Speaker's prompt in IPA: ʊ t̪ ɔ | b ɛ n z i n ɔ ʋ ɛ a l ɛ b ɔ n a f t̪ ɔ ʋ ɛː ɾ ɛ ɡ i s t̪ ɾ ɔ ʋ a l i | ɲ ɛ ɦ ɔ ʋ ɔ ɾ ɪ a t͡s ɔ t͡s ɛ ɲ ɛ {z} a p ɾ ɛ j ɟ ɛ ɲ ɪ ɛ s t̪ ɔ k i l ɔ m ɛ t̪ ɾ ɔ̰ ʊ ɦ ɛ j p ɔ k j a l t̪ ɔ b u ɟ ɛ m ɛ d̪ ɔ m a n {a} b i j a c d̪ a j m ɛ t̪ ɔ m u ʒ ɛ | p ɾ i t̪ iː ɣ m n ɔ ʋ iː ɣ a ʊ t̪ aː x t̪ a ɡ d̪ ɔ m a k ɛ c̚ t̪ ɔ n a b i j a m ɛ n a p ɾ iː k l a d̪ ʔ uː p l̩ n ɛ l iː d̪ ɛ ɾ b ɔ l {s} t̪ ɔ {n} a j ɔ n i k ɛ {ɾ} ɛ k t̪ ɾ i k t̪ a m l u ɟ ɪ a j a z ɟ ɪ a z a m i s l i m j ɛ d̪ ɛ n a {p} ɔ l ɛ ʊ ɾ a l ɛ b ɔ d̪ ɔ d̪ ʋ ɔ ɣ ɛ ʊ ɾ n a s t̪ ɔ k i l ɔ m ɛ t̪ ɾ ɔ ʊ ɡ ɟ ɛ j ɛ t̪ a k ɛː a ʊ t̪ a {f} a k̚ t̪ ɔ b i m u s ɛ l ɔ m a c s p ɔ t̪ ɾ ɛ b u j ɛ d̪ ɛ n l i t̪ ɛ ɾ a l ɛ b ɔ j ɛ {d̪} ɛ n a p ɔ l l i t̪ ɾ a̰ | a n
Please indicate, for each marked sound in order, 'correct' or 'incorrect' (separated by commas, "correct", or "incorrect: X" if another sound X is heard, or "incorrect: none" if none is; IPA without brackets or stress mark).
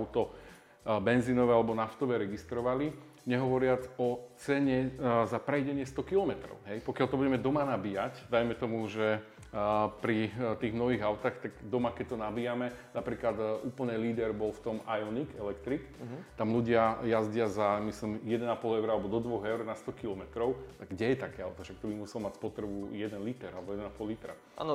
correct, correct, incorrect: f, incorrect: m, incorrect: l, correct, incorrect: ʃ, correct